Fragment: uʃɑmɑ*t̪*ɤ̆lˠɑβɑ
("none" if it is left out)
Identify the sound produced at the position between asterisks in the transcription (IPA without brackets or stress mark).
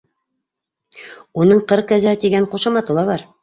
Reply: t̪